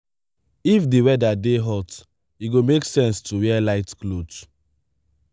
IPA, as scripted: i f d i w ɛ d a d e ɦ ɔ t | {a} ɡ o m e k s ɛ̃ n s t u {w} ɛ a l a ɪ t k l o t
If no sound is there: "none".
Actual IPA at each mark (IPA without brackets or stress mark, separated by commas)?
i, w